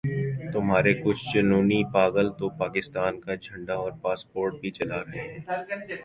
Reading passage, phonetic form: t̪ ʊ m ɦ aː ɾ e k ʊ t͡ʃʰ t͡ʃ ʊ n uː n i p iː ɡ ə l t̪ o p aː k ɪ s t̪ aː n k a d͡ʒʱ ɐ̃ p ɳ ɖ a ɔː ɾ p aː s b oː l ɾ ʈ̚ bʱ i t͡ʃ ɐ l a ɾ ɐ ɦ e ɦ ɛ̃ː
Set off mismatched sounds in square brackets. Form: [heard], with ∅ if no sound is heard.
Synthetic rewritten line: t̪ ʊ m ɦ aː ɾ e k ʊ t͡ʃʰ t͡ʃ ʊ n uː n i p [aː] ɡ ə l t̪ o p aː k ɪ s t̪ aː n k a d͡ʒʱ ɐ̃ [∅] ɳ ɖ a ɔː ɾ p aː s [p] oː [∅] ɾ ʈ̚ bʱ i t͡ʃ ɐ l a ɾ ɐ ɦ e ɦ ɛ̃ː